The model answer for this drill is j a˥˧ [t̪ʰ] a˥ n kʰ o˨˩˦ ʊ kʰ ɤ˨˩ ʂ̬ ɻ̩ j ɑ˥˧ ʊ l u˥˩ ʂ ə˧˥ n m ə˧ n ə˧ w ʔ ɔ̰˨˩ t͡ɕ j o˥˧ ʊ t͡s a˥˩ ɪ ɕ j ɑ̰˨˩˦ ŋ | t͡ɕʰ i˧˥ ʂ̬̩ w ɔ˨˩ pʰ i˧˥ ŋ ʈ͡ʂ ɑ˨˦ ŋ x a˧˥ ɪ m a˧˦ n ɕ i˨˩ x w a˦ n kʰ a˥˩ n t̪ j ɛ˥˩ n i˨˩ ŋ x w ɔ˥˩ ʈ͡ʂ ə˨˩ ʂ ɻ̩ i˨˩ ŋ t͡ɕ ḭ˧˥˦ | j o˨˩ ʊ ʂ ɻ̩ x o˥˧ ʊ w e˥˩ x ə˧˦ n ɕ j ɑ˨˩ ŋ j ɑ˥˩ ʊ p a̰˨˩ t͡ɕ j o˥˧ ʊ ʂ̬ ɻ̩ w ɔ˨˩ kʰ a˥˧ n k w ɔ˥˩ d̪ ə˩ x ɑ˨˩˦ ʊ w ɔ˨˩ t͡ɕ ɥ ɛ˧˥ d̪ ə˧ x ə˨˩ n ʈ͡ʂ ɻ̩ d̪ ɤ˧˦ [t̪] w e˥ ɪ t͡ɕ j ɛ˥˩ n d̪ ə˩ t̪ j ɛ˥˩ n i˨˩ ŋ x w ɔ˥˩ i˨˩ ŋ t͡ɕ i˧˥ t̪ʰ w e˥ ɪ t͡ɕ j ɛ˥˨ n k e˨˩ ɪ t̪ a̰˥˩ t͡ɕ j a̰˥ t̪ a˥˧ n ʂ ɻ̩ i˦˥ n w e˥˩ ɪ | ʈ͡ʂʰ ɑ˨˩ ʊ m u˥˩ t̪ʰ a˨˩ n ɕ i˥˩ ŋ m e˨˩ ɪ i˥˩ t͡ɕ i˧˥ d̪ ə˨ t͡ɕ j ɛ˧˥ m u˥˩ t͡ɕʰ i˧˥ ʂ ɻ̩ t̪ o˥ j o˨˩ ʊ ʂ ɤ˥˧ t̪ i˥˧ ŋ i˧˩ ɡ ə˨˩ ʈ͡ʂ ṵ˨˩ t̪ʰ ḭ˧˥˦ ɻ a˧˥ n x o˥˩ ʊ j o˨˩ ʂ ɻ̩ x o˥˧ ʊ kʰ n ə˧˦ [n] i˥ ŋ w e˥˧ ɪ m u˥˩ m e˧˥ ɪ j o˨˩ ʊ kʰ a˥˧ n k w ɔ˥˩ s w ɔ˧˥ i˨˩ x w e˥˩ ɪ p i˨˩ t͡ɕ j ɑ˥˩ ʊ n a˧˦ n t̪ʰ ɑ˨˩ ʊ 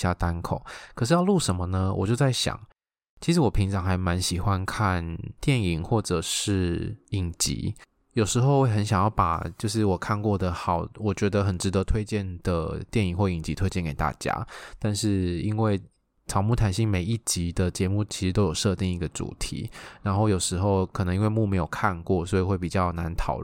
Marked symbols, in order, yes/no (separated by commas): no, no, no